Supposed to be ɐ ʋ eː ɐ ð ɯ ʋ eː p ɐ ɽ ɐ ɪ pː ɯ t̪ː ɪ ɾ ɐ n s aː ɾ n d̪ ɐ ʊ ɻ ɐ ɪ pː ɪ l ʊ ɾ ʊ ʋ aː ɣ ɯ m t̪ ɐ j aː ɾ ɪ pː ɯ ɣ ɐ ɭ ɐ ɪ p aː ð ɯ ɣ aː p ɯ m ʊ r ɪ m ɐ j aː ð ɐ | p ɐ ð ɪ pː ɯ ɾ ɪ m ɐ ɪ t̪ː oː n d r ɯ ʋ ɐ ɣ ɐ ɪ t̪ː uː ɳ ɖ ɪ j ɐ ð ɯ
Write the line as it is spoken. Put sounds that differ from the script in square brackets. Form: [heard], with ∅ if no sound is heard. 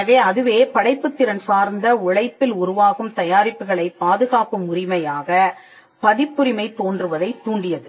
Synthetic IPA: ɐ ʋ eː ɐ ð ɯ ʋ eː p ɐ ɽ ɐ ɪ pː ɯ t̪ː ɪ ɾ ɐ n s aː ɾ n d̪ ɐ ʊ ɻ ɐ ɪ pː ɪ l ʊ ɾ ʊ ʋ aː ɣ ɯ m t̪ ɐ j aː ɾ ɪ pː ɯ ɣ ɐ ɭ ɐ ɪ p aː ð ɯ ɣ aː p ɯ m ʊ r ɪ m ɐ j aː [ɣ] ɐ | p ɐ ð ɪ pː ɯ ɾ ɪ m ɐ ɪ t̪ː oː n d r ɯ ʋ ɐ [ð] ɐ ɪ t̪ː uː ɳ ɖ ɪ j ɐ ð ɯ